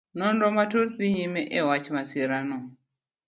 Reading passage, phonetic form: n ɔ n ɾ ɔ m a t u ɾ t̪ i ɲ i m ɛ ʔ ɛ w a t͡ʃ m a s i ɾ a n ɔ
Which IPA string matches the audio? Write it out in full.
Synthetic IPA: n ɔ n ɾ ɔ m a t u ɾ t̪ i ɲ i m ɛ ʔ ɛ w a t͡ʃ m a s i ɾ a n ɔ